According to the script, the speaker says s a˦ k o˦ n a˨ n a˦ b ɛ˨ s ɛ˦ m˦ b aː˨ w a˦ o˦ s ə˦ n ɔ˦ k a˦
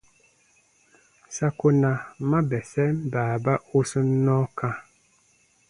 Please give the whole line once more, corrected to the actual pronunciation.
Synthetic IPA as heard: s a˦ k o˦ n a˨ m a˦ b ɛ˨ s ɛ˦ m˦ b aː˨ b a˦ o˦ s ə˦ n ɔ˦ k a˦